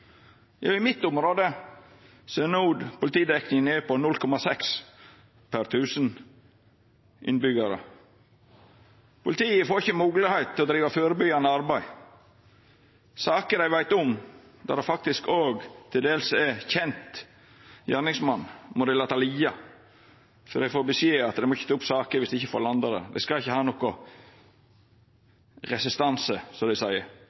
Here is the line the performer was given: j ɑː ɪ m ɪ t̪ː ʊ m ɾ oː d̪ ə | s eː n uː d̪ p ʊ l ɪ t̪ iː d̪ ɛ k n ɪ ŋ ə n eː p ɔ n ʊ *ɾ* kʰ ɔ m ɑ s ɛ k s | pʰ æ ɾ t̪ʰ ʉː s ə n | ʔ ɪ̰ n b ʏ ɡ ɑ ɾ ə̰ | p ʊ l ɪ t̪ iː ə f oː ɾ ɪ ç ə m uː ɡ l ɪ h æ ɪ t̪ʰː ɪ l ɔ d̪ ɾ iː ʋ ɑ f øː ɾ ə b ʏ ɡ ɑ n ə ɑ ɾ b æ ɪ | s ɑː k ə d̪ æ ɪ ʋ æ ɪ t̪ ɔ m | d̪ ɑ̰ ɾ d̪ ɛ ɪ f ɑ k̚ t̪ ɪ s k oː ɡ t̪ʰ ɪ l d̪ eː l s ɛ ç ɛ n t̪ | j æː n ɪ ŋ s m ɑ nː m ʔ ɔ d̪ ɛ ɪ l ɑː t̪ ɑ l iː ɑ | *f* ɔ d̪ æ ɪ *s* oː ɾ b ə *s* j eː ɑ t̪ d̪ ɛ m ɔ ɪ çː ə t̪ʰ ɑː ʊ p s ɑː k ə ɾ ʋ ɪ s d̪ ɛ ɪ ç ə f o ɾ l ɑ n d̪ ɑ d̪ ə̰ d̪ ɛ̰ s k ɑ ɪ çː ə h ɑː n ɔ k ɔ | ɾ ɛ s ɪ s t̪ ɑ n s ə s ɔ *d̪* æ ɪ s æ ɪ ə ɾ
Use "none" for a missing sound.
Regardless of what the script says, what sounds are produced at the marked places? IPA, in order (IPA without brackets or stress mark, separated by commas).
l, f, f, s, d̪